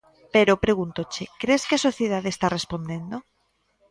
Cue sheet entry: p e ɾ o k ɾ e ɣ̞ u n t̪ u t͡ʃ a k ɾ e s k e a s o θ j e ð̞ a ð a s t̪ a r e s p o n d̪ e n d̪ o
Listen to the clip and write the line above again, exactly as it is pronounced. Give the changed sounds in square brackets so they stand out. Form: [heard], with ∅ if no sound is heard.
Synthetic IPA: p e ɾ o [p] ɾ e ɣ̞ u n t̪ [o] t͡ʃ [e] k ɾ e s k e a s o θ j e ð̞ a ð [e] s t̪ a r e s p o n d̪ e n d̪ o